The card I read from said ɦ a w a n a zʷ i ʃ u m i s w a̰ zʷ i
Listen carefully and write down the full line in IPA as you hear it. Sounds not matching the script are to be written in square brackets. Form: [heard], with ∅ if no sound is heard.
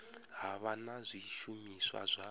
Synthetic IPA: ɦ a [β] a n a zʷ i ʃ u m i s w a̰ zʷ [a]